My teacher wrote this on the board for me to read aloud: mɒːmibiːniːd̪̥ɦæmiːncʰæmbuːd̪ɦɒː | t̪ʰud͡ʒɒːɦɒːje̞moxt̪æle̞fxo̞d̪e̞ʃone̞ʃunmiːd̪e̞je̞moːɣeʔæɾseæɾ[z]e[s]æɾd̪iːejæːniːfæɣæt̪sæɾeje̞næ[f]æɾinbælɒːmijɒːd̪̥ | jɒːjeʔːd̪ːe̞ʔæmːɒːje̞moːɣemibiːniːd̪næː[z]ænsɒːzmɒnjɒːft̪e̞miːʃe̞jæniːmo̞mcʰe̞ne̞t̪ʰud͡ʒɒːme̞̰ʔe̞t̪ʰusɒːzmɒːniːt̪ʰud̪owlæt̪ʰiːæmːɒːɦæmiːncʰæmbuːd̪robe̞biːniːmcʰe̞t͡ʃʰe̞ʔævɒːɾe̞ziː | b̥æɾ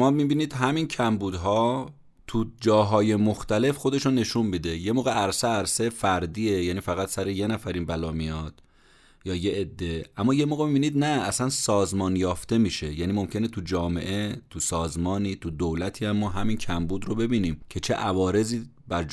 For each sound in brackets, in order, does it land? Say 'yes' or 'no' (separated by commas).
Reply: no, no, yes, no